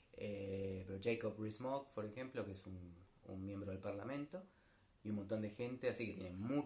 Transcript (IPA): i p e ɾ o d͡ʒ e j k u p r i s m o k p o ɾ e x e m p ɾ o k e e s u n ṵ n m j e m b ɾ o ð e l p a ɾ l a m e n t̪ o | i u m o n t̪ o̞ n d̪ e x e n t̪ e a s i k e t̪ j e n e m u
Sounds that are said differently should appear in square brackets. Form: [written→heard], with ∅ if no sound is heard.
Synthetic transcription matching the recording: [i→e] p e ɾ o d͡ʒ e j k [u→o] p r i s m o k p o ɾ e x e m p [ɾ→l] o k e e s u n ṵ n m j e m b ɾ o ð e l p a ɾ l a m [e→ẽ] n t̪ o | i u m o n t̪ o̞ n d̪ e x e n t̪ e a s i k e t̪ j e n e m u